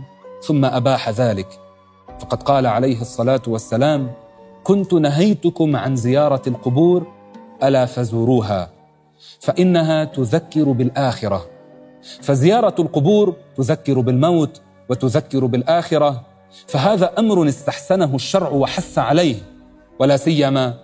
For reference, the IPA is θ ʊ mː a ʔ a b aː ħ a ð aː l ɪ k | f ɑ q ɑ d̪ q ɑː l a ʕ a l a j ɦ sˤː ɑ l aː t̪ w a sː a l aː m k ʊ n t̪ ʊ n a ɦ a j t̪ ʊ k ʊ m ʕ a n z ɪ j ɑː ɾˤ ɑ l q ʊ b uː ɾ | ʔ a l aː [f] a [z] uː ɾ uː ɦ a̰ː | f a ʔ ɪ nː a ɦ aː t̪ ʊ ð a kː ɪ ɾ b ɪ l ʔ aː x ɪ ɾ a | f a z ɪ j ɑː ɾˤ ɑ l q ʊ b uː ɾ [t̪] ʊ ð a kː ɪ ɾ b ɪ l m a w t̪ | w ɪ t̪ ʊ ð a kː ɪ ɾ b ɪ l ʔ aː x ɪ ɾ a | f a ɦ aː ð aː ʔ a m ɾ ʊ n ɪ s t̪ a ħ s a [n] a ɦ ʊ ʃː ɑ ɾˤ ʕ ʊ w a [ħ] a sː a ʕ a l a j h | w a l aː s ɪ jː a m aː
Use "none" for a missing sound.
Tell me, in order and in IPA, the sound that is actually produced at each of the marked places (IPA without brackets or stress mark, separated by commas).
f, z, t̪, n, ħ